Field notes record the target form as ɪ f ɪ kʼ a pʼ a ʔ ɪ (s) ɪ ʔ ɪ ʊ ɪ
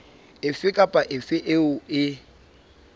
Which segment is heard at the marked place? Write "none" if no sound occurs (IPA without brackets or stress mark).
f